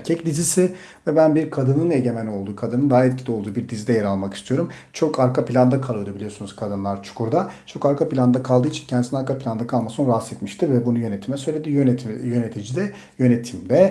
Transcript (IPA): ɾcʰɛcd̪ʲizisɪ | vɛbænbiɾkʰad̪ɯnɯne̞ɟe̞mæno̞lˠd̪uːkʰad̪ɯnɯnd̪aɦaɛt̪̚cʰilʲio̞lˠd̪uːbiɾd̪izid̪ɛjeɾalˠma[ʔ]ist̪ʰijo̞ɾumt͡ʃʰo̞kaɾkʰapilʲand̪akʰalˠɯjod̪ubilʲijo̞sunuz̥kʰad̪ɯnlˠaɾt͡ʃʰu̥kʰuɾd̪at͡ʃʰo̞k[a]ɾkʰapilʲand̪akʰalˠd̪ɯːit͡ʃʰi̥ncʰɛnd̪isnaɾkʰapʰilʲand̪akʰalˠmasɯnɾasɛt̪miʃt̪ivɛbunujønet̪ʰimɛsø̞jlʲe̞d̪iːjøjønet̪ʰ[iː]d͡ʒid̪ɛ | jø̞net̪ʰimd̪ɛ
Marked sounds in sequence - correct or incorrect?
incorrect, correct, incorrect

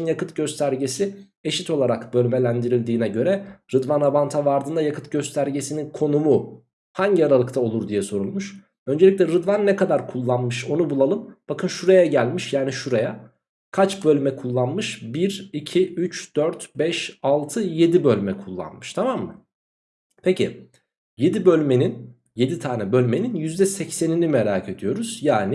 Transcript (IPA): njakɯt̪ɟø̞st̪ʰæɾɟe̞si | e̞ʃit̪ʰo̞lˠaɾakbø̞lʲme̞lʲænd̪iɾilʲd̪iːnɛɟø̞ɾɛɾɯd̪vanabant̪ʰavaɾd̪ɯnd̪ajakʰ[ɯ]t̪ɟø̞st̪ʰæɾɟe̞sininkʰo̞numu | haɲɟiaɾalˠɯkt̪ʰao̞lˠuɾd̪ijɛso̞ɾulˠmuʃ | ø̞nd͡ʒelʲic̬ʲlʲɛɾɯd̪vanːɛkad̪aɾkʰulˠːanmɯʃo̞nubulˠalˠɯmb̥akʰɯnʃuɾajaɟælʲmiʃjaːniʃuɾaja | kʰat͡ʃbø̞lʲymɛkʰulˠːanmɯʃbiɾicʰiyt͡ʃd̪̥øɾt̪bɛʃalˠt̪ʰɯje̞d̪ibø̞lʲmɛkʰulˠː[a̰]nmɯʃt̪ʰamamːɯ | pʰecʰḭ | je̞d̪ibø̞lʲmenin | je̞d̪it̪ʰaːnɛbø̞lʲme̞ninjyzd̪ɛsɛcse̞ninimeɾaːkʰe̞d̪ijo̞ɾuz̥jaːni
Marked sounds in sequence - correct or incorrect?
correct, correct

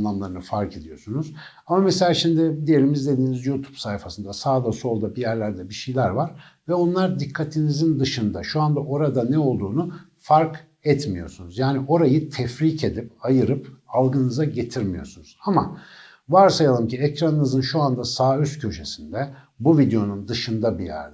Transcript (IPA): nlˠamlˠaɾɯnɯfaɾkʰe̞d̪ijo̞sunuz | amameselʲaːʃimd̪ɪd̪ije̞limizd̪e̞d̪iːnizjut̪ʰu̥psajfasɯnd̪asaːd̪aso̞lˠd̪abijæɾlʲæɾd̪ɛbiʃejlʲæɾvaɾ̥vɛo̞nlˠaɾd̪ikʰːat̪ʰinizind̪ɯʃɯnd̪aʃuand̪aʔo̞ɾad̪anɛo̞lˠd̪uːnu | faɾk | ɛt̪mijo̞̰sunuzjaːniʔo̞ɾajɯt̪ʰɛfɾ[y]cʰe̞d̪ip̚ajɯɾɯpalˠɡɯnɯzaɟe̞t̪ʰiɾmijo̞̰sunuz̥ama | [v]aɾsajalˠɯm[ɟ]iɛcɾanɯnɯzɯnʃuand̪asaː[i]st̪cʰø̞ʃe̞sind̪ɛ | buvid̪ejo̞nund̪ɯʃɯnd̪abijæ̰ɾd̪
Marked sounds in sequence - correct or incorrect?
incorrect, correct, incorrect, incorrect

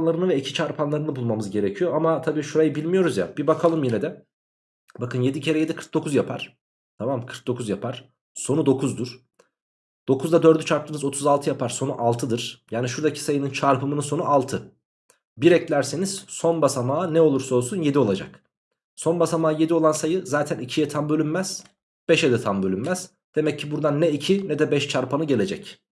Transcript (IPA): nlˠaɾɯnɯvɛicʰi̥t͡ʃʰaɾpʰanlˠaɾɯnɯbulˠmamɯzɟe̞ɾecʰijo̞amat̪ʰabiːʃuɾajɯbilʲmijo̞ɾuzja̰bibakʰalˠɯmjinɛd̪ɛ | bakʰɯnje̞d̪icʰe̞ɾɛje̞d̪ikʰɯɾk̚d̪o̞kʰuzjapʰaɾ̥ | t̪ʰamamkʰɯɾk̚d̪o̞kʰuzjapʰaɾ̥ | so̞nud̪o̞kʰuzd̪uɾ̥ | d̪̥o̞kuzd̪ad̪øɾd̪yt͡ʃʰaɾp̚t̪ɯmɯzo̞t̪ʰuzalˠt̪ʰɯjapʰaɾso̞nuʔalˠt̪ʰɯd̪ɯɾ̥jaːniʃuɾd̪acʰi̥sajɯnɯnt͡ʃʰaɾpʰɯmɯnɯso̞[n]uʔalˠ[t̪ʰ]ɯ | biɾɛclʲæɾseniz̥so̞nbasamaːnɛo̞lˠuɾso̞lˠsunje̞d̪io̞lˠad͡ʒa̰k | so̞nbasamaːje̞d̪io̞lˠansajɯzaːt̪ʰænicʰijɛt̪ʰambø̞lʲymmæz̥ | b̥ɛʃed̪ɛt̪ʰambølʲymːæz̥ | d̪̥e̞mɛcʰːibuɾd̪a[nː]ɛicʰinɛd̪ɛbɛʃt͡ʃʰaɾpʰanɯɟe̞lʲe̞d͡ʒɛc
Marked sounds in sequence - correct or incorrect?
correct, correct, correct

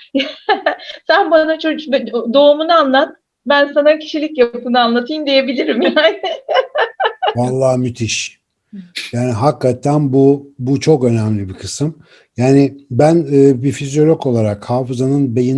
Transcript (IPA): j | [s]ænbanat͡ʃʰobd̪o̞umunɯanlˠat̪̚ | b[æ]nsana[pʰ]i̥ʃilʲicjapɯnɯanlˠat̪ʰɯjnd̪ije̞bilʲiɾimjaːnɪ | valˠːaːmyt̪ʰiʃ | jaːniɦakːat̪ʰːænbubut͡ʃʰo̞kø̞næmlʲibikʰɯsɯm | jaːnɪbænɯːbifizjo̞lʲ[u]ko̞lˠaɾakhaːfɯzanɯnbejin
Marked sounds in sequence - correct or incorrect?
correct, correct, incorrect, incorrect

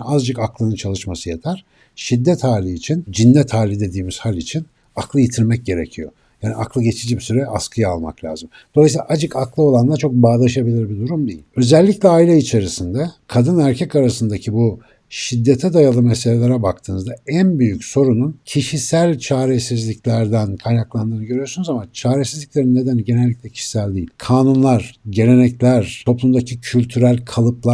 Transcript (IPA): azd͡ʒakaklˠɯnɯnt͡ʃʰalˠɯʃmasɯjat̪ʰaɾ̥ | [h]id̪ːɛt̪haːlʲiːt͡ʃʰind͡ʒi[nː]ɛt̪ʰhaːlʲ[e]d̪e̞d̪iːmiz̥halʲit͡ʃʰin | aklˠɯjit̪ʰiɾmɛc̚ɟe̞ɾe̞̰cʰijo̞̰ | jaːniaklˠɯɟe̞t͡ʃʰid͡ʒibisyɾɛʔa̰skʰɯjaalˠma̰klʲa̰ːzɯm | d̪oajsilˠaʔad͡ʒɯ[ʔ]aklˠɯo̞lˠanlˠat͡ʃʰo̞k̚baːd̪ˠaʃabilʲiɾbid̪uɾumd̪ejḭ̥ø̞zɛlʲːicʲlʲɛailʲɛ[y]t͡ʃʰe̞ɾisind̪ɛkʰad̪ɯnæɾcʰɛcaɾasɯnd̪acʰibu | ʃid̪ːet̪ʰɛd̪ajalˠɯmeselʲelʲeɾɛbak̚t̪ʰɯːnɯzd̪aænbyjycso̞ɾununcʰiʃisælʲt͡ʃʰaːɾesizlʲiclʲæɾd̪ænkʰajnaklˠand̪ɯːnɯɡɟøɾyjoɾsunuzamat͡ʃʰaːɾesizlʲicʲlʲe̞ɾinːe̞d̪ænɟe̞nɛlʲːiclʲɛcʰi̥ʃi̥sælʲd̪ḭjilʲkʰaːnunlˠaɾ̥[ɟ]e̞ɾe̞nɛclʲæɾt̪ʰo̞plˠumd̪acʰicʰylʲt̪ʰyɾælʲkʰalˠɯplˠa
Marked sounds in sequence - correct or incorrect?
incorrect, correct, incorrect, incorrect, incorrect, correct

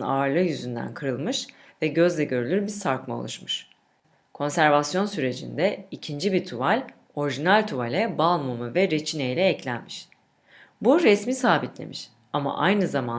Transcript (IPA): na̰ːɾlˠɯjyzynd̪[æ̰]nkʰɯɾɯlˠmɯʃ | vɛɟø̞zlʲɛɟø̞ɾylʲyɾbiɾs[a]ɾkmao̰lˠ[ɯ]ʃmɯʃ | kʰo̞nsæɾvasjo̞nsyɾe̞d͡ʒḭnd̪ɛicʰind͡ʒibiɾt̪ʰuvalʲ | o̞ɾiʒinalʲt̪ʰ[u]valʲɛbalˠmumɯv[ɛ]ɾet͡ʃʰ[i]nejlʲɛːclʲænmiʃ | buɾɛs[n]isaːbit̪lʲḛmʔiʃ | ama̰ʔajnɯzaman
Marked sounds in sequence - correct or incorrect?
correct, correct, incorrect, correct, correct, correct, incorrect

